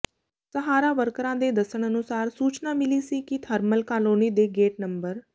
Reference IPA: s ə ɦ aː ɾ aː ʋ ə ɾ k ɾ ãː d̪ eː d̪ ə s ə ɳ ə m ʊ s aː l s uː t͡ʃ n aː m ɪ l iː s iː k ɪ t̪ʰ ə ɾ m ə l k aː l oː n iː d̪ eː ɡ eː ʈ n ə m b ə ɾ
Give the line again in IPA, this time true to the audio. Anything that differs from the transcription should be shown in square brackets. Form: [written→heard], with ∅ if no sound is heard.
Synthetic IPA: s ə ɦ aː ɾ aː ʋ ə ɾ k ɾ ãː d̪ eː d̪ ə s ə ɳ ə [m→n] ʊ s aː [l→ɾ] s uː t͡ʃ n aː m ɪ l iː s iː k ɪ t̪ʰ ə ɾ m ə l k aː l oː n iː d̪ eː ɡ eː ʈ n ə m b ə ɾ

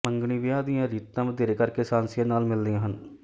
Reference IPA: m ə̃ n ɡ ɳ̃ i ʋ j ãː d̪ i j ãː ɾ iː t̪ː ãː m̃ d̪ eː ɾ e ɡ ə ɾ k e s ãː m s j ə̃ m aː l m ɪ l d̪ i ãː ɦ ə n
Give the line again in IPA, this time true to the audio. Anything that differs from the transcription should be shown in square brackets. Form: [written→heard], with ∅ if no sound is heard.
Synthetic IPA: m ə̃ [n→ŋ] ɡ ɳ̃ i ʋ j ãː d̪ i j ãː ɾ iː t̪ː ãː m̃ d̪ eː ɾ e [ɡ→k] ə ɾ k e s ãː [m→n] s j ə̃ [m→n] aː l m ɪ l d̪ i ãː ɦ ə n

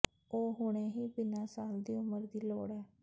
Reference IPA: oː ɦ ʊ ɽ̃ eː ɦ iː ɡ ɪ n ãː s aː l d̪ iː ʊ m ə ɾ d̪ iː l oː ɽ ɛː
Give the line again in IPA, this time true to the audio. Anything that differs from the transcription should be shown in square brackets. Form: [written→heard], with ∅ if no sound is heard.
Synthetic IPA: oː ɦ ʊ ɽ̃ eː ɦ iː [ɡ→b] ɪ n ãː s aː l d̪ iː ʊ m ə ɾ d̪ iː l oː ɽ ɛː

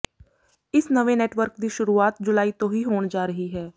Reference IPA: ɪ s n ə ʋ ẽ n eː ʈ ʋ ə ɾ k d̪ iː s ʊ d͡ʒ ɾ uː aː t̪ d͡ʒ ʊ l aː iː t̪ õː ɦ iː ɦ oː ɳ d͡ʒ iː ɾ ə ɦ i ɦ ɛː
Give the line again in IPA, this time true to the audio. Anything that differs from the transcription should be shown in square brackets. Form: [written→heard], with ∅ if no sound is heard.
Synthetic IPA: ɪ s n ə ʋ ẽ n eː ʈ ʋ ə ɾ k d̪ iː [s→ʃ] ʊ [d͡ʒ→∅] ɾ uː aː t̪ d͡ʒ ʊ l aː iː t̪ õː ɦ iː ɦ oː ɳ d͡ʒ [iː→aː] ɾ ə ɦ i ɦ ɛː

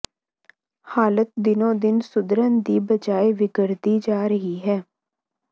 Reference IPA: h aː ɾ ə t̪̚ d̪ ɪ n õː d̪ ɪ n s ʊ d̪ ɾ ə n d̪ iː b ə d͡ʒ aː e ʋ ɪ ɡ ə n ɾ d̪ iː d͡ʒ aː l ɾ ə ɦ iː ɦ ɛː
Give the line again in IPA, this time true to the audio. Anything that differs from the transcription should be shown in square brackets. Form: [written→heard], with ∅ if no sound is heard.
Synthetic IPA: h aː [ɾ→l] ə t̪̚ d̪ ɪ n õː d̪ ɪ n s ʊ d̪ ɾ ə n d̪ iː b ə d͡ʒ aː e ʋ ɪ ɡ ə [n→∅] ɾ d̪ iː d͡ʒ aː [l→∅] ɾ ə ɦ iː ɦ ɛː

